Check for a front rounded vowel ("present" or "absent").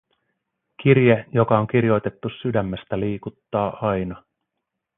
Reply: present